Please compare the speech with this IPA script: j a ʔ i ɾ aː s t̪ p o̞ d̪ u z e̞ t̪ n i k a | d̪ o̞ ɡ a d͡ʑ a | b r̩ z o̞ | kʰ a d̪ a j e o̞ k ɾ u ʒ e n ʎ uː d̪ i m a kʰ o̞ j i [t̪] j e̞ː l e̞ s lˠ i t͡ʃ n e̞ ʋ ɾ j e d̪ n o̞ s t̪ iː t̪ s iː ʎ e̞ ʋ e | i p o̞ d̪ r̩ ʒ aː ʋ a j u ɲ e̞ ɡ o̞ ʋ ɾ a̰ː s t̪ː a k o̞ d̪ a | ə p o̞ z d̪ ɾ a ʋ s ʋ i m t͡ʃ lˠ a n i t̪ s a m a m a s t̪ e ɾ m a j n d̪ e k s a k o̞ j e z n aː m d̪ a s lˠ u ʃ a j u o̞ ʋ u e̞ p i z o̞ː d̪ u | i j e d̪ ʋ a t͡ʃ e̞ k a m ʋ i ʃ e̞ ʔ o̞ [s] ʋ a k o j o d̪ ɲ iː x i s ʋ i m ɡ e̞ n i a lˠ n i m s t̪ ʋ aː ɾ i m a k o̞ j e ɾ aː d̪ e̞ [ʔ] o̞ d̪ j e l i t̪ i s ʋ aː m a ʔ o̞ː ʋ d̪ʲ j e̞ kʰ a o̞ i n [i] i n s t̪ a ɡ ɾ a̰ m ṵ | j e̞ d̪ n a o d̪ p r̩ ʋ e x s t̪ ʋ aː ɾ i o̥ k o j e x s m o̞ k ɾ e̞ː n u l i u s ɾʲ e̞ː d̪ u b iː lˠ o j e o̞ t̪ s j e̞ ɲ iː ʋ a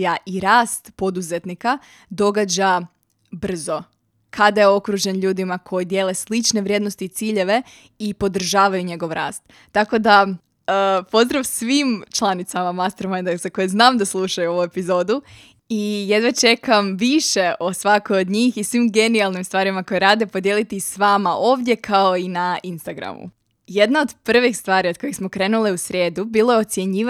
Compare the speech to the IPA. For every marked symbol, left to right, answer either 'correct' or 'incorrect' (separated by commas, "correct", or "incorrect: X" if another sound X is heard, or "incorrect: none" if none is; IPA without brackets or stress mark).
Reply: incorrect: d̪, correct, incorrect: p, incorrect: a